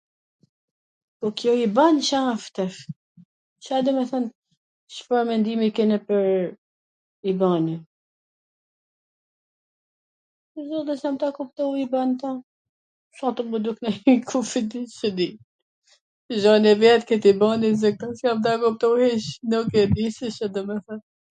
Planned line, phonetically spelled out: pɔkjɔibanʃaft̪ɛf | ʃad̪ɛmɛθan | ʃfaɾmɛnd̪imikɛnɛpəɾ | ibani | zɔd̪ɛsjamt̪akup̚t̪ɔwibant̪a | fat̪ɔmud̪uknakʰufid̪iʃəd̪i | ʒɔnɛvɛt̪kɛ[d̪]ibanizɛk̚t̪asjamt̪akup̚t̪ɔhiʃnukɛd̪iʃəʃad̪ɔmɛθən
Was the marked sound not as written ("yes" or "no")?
yes